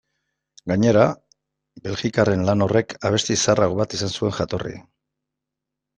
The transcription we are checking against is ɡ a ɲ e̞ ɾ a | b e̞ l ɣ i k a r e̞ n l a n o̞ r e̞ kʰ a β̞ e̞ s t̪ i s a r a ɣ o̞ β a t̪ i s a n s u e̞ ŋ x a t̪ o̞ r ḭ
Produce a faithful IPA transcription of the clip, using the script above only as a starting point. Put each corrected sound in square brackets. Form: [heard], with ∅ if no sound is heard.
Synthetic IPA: ɡ a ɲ e̞ ɾ a | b e̞ l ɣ i k a r e̞ n l a n o̞ r e̞ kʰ a β̞ e̞ s t̪ i s a r a ɣ o̞ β a t̪ i s a n s u e̞ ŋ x a t̪ o̞ r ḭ